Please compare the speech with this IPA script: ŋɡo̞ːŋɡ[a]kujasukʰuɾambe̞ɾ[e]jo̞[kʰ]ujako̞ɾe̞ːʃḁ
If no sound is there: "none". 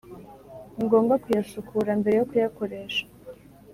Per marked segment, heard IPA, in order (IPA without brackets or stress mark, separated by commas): a, e, k